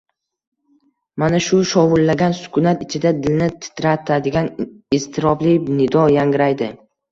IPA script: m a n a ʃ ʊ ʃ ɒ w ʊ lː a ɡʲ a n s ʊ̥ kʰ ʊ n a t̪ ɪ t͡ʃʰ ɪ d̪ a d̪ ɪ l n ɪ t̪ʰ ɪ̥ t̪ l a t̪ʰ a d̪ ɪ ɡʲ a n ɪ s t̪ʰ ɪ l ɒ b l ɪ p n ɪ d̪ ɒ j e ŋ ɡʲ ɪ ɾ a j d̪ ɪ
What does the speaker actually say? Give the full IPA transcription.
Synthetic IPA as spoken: m a n a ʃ ʊ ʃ ɒ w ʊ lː a ɡʲ a n s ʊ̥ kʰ ʊ n a t̪ ɪ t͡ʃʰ ɪ d̪ a d̪ ɪ l n ɪ t̪ʰ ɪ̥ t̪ ɾ a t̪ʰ a d̪ ɪ ɡʲ a n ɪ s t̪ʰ ɪ ɾ ɒ b l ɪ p n ɪ d̪ ɒ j a ŋ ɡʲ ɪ ɾ a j d̪ ɪ